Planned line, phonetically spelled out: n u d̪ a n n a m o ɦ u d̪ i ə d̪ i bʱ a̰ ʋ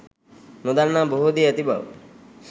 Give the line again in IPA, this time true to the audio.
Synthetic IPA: n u d̪ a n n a b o ɦ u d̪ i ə t̪ i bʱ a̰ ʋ

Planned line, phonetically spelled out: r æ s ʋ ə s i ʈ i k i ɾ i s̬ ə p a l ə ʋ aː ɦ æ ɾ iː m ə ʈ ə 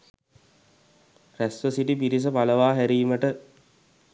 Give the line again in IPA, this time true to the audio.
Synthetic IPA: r æ s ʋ ə s i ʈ i p i ɾ i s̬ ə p a l ə ʋ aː ɦ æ ɾ iː m ə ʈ ə

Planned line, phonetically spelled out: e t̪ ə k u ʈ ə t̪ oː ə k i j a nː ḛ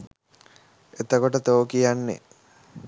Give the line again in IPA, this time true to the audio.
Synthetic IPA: e t̪ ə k o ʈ ə t̪ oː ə k i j a nː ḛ

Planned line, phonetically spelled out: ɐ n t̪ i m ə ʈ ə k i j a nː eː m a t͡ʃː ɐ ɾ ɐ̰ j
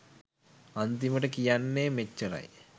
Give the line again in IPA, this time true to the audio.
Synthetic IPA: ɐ n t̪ i m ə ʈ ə k i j a nː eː m e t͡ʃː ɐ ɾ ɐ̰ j

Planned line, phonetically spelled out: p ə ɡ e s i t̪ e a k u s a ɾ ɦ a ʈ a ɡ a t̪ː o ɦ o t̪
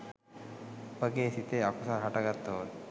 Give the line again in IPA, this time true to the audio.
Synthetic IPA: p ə ɡ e s i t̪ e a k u s a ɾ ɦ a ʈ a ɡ a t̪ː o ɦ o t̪

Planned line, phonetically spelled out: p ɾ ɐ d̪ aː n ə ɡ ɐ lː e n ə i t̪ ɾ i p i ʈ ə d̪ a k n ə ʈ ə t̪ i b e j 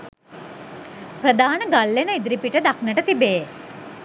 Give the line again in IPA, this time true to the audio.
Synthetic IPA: p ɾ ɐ d̪ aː n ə ɡ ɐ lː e n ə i d̪ ɾ i p i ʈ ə d̪ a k n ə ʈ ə t̪ i b e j

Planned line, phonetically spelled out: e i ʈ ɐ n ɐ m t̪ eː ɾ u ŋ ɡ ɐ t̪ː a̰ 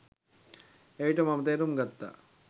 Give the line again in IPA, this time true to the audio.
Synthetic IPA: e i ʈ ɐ m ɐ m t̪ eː ɾ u m ɡ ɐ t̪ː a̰

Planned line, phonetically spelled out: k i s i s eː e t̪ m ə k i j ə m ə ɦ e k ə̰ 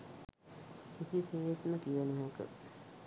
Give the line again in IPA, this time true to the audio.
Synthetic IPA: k i s i s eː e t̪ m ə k i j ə n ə ɦ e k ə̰

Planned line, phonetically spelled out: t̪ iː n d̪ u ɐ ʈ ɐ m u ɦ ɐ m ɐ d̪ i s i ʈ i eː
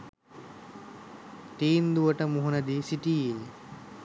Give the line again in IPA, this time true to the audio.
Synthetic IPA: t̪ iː n d̪ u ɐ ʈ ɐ m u ɦ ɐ n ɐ d̪ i s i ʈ i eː

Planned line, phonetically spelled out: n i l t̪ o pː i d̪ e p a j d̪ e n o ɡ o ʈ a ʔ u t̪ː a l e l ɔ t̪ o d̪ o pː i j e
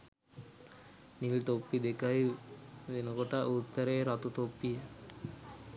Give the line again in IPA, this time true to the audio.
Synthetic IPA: n i l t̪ o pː i d̪ e k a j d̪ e n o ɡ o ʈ a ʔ u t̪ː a ɾ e ɾ ɔ t̪ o t̪ o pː i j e

